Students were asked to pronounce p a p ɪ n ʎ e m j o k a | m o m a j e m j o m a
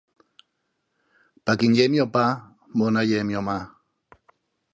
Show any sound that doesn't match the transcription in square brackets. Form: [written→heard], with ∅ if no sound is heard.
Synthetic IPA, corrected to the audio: p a [p→k] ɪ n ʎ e m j o [k→p] a | m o [m→n] a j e m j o m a